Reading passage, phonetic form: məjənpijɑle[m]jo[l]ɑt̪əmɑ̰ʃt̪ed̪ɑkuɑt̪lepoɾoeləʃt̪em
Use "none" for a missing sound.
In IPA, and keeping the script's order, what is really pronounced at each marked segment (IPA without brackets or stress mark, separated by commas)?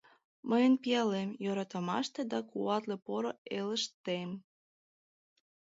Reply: m, ɾ